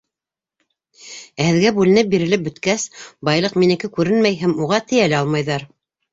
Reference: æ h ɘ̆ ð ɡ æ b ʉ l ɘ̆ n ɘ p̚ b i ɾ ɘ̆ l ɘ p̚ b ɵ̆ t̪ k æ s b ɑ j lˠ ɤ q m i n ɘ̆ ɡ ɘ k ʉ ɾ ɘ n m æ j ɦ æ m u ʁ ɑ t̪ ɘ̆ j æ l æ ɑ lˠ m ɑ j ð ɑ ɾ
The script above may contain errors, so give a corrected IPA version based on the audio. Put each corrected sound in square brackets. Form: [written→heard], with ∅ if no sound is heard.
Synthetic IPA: æ h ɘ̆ ð ɡ æ b ʉ l ɘ̆ n ɘ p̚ b i ɾ ɘ̆ l ɘ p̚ b ɵ̆ t̪ k æ s b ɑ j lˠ ɤ q m i n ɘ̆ [ɡ→k] ɘ k ʉ ɾ ɘ n m æ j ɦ æ m u ʁ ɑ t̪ ɘ̆ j æ l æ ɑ lˠ m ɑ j ð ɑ ɾ